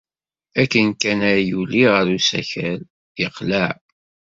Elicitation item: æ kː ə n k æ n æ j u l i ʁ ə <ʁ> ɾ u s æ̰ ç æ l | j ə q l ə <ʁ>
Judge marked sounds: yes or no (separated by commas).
no, no